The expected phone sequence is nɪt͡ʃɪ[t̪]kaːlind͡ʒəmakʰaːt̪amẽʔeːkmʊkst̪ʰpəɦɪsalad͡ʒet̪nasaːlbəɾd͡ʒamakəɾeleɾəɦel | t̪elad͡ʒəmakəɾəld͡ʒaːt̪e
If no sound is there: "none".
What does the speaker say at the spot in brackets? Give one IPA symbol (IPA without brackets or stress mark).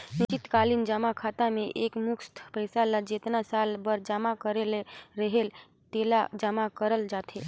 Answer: t̪